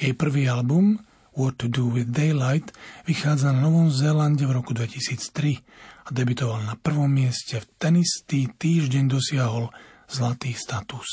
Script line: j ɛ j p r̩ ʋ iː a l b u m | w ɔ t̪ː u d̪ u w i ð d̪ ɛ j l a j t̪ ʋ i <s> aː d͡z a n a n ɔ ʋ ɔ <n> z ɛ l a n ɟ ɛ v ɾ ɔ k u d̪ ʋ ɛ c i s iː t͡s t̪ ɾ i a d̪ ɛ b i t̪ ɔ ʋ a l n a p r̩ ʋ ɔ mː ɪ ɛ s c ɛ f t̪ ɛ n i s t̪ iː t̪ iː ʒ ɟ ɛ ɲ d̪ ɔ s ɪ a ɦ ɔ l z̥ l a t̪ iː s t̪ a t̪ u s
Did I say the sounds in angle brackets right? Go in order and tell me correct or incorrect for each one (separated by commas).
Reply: incorrect, incorrect